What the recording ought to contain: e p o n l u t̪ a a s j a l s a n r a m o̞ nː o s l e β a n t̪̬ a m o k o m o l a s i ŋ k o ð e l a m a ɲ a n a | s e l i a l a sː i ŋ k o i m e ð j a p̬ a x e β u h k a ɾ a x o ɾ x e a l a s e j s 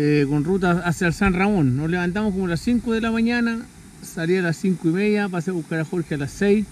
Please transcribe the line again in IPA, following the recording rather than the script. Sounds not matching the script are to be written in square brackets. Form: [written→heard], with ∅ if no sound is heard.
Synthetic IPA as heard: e [p→k] o n [l→r] u t̪ a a s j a l s a n r a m o̞ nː o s l e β a n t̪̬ a m o k o m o l a s i ŋ k o ð e l a m a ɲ a n a | s [e→a] l i a l a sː i ŋ k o i m e ð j a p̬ a [x→s] e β u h k a ɾ a x o ɾ x e a l a s e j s

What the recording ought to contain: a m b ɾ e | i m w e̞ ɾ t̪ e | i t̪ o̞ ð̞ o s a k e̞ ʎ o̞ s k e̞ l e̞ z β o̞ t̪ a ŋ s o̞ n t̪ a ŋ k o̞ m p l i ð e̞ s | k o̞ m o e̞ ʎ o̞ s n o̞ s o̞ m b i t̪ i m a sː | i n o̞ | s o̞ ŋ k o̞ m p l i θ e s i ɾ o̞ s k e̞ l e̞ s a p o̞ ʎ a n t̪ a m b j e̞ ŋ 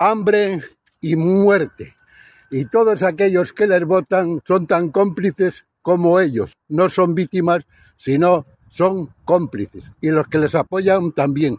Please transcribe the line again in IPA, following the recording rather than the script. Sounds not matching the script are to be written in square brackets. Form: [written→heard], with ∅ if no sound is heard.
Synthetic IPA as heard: a m b ɾ e | i m w e̞ ɾ t̪ e | i t̪ o̞ ð̞ o s a k e̞ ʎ o̞ s k e̞ l e̞ z β o̞ t̪ a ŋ s o̞ n t̪ a ŋ k o̞ m p l i [ð→θ] e̞ s | k o̞ m o e̞ ʎ o̞ s n o̞ s o̞ m b i t̪ i m a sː | i n o̞ | s o̞ ŋ k o̞ m p l i θ e s i [ɾ→l] o̞ s k e̞ l e̞ s a p o̞ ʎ a n t̪ a m b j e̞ ŋ

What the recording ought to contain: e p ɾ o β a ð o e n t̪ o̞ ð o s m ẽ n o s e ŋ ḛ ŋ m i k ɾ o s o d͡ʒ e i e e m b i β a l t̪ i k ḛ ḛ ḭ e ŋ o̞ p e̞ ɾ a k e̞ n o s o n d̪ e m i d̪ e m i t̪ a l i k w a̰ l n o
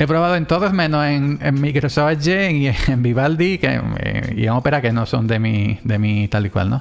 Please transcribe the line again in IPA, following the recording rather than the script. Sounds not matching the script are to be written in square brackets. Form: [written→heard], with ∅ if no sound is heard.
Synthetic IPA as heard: e p ɾ o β a ð o e n t̪ o̞ ð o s m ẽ n o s e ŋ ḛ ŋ m i k ɾ o s o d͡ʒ e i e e m b i β a l [t̪→d̪] i k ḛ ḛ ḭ e ŋ o̞ p e̞ ɾ a k e̞ n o s o n d̪ e m i d̪ e m i t̪ a l i k w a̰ l n o

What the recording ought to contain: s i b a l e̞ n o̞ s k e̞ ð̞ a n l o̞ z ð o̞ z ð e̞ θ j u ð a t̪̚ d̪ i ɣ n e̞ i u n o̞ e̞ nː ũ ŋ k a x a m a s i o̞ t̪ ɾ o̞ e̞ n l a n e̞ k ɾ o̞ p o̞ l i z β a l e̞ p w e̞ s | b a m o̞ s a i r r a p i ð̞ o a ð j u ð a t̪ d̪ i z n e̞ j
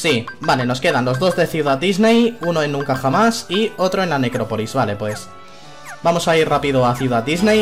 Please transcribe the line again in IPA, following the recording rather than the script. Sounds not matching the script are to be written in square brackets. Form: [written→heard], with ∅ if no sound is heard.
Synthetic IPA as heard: s i b a l e̞ n o̞ s k e̞ ð̞ a n l o̞ z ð o̞ z ð e̞ θ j u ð a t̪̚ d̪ i [ɣ→z] n e̞ [i→j] u n o̞ e̞ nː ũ ŋ k a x a m a s i o̞ t̪ ɾ o̞ e̞ n l a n e̞ k ɾ o̞ p o̞ l i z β a l e̞ p w e̞ s | b a m o̞ s a i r r a p i ð̞ o a [ð→θ] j u ð a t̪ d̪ i z n e̞ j

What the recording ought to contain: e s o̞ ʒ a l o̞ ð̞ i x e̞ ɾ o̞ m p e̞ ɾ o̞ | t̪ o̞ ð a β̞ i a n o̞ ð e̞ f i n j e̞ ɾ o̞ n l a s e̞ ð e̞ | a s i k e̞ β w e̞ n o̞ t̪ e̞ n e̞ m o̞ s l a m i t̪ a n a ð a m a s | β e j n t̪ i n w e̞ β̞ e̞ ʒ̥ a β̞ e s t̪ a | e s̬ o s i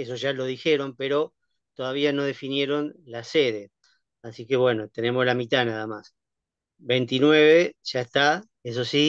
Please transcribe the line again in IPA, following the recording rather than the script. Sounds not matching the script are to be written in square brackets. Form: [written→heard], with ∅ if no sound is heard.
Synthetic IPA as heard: e s o̞ ʒ a l o̞ ð̞ i x e̞ ɾ o̞ m p e̞ ɾ o̞ | t̪ o̞ ð a β̞ i a n o̞ ð e̞ f i n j e̞ ɾ o̞ n l a s e̞ ð e̞ | a s i k e̞ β w e̞ n o̞ t̪ e̞ n e̞ m o̞ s l a m i t̪ a n a ð a m a s | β e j n t̪ i n w e̞ β̞ e̞ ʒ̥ a [β̞→∅] e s t̪ a | e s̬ o s i

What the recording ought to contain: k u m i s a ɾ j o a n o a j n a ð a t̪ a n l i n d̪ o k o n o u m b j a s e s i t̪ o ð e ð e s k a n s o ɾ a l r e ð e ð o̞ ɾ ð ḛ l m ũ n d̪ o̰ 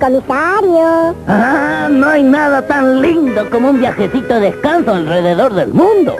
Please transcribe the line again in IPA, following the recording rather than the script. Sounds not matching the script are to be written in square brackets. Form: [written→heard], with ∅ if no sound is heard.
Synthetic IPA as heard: k [u→o] m i s a ɾ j o a n o a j n a ð a t̪ a n l i n d̪ o k o [n→m] o u m b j a [s→x] e s i t̪ o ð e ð e s k a n s o [ɾ→∅] a l r e ð e ð o̞ ɾ ð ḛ l m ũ n d̪ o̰

